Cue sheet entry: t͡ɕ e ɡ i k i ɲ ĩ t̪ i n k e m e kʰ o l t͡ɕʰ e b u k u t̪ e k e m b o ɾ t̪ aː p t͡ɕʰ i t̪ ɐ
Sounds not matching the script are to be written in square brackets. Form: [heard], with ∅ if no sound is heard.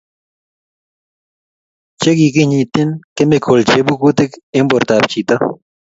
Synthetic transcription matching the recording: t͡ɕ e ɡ i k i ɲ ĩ t̪ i n k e m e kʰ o l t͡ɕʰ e b u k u t̪ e k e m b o ɾ t̪ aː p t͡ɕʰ i t̪ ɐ